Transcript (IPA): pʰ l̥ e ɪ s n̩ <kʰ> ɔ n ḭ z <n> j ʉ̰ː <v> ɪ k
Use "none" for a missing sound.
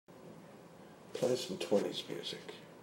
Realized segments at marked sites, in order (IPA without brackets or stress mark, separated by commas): tʰ, m, z